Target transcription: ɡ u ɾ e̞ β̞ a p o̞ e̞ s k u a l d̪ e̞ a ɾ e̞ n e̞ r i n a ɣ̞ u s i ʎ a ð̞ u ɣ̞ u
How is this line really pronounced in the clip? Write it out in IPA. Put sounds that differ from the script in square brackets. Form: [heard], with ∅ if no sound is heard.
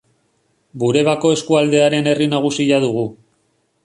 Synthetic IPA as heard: [b] u ɾ e̞ β̞ a [k] o̞ e̞ s k u a l d̪ e̞ a ɾ e̞ n e̞ r i n a ɣ̞ u s i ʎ a ð̞ u ɣ̞ u